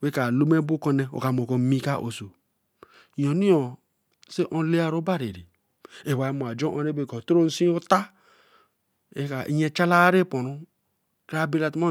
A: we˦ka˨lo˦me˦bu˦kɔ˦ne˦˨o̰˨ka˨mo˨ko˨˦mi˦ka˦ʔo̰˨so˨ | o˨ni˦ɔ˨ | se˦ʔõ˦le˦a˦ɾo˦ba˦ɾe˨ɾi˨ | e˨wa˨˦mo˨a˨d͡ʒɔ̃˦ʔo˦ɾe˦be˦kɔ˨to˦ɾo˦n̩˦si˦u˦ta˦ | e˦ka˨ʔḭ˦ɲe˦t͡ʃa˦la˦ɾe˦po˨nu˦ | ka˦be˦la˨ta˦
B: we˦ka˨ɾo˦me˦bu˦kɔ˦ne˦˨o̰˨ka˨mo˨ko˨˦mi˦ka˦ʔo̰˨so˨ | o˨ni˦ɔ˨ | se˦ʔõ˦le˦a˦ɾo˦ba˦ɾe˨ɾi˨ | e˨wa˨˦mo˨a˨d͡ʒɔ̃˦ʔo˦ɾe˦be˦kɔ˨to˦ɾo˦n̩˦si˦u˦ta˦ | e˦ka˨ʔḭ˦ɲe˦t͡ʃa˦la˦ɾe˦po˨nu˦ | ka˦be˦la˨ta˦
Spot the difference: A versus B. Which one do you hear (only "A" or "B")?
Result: A